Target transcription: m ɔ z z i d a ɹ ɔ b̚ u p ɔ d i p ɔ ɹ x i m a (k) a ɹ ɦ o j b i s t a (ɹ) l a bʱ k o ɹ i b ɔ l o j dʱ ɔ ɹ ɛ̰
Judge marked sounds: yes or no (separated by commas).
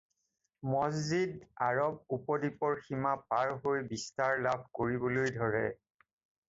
no, yes